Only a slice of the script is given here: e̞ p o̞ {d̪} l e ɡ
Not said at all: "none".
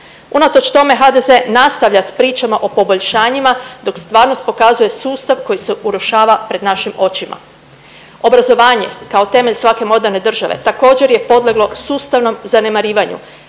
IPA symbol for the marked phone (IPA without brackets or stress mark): d̪